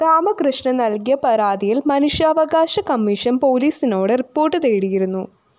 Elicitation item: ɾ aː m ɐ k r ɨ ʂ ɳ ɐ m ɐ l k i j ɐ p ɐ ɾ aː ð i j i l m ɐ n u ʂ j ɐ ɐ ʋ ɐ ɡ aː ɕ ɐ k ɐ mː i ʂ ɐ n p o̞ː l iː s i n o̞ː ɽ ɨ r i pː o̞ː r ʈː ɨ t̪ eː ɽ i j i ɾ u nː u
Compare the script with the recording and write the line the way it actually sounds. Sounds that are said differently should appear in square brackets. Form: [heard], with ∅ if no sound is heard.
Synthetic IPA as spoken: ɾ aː m ɐ k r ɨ ʂ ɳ ɐ [n] ɐ l k i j ɐ p ɐ ɾ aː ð i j i l m ɐ n u ʂ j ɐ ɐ ʋ ɐ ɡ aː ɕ ɐ k ɐ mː i ʂ ɐ n p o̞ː l iː s i n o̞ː ɽ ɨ r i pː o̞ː r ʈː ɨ t̪ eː ɽ i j i ɾ u nː u